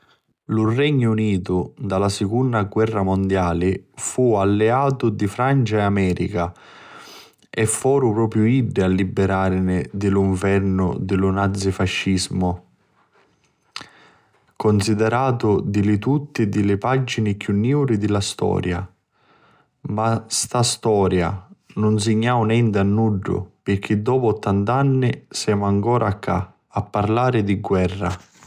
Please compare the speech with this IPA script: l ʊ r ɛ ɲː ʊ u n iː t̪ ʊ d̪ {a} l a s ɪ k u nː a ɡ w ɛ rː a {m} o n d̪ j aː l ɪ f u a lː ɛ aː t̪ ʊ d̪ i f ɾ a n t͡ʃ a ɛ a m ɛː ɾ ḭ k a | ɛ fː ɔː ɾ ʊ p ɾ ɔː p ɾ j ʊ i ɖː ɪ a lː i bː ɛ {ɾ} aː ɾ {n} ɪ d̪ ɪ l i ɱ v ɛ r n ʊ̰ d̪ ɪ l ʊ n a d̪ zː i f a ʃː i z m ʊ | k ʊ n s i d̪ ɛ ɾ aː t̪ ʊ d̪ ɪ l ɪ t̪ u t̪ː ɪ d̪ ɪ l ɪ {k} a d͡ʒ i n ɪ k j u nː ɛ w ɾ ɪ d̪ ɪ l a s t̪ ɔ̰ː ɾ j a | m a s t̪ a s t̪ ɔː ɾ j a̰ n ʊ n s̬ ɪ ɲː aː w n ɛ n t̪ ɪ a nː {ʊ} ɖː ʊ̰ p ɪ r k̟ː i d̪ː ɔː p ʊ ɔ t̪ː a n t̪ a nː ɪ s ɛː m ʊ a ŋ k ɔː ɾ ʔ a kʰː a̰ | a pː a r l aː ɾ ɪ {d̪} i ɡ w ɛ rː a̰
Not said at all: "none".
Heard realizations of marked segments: a, m, ɾ, n, p, u, d̪

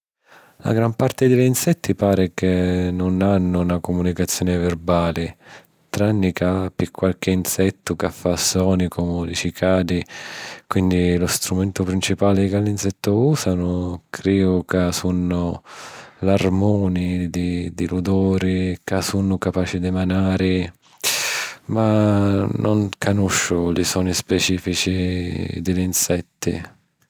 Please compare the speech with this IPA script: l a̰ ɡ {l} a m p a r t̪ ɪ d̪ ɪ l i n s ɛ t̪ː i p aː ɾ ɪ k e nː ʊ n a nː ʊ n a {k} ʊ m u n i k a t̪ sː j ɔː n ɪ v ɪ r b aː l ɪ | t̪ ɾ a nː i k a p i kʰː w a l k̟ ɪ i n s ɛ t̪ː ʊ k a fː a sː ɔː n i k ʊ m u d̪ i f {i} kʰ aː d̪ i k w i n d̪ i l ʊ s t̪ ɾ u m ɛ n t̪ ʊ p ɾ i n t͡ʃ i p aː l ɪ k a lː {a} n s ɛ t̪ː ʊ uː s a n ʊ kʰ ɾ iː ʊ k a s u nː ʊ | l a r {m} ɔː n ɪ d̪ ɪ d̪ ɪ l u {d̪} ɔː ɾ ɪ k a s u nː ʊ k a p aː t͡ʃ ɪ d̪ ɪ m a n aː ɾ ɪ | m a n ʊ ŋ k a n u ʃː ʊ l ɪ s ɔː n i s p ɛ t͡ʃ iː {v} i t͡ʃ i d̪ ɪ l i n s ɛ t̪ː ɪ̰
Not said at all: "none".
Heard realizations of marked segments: ɾ, k, i, i, m, d̪, f

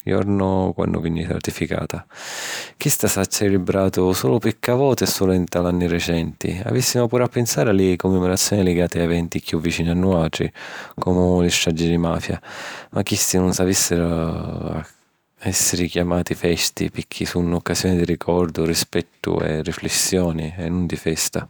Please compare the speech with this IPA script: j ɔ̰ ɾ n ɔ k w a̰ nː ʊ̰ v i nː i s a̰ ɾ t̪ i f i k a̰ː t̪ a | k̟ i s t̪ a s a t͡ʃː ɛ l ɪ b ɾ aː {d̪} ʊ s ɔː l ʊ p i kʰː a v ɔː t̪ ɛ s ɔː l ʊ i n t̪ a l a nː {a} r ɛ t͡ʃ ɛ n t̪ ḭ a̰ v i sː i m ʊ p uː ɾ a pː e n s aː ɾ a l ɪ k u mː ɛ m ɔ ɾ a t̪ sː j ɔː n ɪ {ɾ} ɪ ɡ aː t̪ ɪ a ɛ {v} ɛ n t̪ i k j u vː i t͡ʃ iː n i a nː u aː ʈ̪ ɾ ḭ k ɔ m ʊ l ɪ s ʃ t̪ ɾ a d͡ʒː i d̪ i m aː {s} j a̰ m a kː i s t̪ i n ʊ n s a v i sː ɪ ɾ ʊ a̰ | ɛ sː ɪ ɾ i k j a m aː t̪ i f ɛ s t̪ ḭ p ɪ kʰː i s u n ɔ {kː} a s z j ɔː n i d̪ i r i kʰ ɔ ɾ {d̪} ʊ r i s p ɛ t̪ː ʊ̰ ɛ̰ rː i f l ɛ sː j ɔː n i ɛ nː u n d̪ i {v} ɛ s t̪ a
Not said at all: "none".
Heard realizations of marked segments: t̪, i, l, v, f, kː, d̪, f

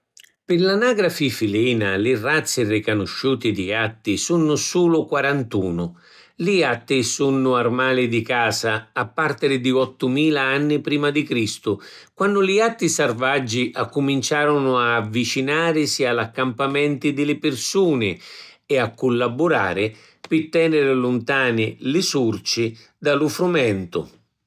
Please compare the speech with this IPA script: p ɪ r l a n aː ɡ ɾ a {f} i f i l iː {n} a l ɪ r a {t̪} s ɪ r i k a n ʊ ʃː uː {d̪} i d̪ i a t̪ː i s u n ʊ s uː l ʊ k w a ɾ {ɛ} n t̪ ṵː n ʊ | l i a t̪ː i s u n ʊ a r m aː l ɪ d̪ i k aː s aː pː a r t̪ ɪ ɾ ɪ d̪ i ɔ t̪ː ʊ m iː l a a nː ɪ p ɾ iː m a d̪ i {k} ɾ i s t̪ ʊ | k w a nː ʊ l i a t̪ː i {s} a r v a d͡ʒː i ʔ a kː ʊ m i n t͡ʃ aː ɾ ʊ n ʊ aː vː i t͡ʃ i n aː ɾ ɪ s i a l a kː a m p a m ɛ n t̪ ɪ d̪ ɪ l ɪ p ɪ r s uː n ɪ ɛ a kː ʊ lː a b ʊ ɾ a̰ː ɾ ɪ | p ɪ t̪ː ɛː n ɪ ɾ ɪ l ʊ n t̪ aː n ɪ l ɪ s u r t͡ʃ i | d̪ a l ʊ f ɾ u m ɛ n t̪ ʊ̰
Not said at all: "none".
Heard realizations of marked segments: f, n, t̪, t̪, a, k, s

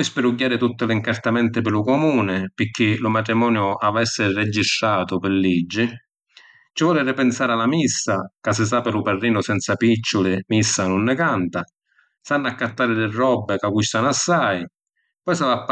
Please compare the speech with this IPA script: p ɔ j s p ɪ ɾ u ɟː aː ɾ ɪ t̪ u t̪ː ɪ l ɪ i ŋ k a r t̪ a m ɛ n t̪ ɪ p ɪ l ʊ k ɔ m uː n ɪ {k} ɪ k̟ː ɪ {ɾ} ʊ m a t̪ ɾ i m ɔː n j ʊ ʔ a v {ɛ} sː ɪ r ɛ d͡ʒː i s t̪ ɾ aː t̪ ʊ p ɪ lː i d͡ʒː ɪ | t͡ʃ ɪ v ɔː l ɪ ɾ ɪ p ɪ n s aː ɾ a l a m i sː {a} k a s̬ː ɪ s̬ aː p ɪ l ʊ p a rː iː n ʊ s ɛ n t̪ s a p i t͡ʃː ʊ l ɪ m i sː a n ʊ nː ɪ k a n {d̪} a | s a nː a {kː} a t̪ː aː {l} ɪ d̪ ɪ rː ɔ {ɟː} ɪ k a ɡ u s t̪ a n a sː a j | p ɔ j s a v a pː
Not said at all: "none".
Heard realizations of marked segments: p, l, ɛ, a, t̪, kː, ɾ, bː

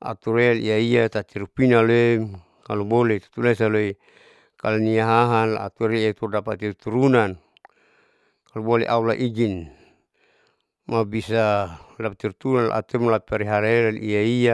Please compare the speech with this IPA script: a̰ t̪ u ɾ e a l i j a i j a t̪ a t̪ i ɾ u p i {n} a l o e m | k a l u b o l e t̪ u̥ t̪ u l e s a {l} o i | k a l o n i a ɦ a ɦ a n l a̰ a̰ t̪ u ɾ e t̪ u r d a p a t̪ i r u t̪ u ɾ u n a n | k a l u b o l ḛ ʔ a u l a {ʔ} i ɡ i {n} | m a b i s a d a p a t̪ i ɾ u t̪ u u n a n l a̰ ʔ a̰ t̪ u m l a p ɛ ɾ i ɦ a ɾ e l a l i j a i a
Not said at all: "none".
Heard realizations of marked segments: n, l, ʔ, n

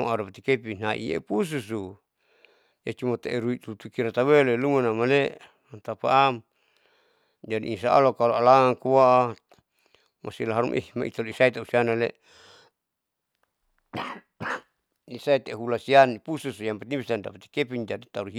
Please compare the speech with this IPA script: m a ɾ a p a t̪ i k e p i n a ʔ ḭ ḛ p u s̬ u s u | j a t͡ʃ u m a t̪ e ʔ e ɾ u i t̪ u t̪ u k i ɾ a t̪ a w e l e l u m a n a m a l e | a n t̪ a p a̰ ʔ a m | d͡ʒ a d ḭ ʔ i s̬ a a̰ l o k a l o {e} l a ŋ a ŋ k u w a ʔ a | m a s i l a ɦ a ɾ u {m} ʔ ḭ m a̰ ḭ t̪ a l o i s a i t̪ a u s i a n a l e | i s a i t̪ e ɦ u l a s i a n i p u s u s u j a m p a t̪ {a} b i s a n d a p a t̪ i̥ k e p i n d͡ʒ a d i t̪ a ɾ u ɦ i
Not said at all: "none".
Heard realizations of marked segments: a, m, i

